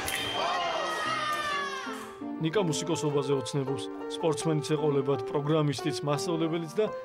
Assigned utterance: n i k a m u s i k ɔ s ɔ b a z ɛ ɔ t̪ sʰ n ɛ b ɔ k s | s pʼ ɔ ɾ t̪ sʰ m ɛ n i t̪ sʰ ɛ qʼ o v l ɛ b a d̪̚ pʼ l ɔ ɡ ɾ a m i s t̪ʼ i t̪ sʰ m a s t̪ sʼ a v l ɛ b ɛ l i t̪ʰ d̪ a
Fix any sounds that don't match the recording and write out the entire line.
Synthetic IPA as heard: n i kʼ a m u s i kʼ ɔ s ɔ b a z ɛ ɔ t̪ sʰ n ɛ b ɔ p s | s pʼ ɔ ɾ t̪ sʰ m ɛ n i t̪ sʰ ɛ qʼ ɔ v l ɛ b a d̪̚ pʼ ɾ ɔ ɡ ɾ a m i s t̪ʼ i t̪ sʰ m a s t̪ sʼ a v l ɛ b ɛ l i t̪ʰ d̪ a